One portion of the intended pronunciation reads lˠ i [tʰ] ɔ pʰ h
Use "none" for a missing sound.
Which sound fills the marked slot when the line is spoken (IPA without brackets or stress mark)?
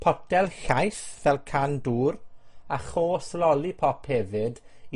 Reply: pʰ